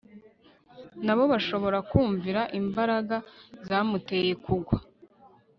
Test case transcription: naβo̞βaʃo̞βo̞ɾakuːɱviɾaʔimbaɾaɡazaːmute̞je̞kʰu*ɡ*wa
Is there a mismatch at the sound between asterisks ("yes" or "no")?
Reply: no